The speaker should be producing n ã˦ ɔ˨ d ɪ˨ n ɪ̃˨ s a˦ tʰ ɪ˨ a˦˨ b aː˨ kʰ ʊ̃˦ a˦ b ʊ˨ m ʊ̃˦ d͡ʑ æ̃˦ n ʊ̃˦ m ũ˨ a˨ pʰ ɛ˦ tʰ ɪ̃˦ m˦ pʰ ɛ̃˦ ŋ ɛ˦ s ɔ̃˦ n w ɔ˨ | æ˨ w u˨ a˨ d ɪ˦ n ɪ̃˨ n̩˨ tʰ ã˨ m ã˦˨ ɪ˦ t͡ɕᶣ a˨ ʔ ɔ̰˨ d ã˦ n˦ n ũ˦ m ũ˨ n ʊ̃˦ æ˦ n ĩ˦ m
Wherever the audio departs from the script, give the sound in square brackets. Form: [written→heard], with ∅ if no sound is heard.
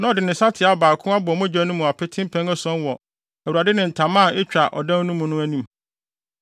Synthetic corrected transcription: n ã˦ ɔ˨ d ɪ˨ n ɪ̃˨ s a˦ tʰ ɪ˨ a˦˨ b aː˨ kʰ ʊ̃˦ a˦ b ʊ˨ m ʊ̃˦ d͡ʑ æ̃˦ n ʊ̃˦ m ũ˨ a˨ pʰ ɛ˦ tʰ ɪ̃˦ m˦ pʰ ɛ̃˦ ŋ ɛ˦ s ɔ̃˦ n w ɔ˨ | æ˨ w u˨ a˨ d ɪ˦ n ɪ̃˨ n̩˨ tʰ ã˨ m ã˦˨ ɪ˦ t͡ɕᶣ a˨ ʔ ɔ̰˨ d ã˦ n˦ n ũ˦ m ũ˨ n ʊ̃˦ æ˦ n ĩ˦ m